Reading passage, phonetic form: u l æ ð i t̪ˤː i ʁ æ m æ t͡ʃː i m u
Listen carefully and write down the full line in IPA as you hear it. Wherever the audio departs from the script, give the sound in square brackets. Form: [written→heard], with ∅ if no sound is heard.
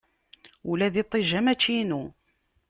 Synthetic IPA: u l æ ð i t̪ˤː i [ʁ→ʒ] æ m æ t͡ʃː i [m→n] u

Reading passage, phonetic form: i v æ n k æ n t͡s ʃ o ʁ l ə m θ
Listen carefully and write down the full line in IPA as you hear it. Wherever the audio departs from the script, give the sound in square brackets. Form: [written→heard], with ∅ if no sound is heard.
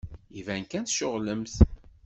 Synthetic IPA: i v æ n k æ n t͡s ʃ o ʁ l ə m θ

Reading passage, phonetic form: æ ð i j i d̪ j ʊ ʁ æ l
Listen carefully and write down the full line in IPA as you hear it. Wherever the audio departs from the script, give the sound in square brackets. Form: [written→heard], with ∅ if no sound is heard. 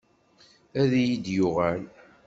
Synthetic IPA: æ ð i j i d̪ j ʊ ʁ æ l

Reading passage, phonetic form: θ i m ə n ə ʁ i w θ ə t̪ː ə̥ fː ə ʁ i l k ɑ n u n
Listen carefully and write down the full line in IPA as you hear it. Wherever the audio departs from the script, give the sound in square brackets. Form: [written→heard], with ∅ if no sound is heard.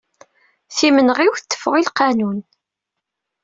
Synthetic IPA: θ i m ə n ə ʁ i w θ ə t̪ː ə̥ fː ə ʁ i l [k→q] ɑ n u n

